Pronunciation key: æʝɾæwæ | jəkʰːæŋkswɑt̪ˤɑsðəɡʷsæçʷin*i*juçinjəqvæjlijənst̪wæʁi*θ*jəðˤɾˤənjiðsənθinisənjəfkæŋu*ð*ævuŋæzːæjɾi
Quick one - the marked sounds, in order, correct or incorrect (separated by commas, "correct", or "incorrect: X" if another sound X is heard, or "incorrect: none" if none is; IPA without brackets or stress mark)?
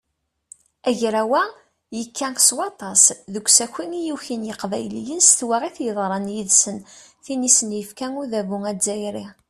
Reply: correct, correct, correct